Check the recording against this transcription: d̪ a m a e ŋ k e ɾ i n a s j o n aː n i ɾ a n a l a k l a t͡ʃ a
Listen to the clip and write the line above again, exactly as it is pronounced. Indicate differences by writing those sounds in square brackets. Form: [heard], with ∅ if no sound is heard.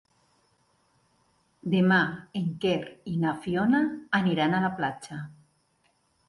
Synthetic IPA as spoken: d̪ [e] m a e ŋ k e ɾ i n a [f] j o n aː n i ɾ a n a l a [p] l a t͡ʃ a